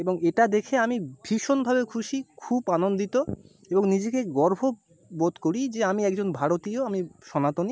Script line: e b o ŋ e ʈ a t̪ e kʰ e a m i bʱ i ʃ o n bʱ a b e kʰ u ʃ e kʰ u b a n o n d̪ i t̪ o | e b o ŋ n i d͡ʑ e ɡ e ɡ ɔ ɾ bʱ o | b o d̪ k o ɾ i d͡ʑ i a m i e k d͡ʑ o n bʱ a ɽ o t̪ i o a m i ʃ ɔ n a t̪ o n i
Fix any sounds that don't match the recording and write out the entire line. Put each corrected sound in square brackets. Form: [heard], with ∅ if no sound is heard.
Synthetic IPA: e b o ŋ e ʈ a [d̪] e kʰ e a m i bʱ i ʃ o n bʱ a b e kʰ u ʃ [i] kʰ u b a n o n d̪ i t̪ o | e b o ŋ n i d͡ʑ e [k] e ɡ ɔ ɾ bʱ o | b o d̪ k o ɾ i d͡ʑ [e] a m i [ɛ] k d͡ʑ o n bʱ a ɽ o t̪ i o a m i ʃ ɔ n a t̪ o n i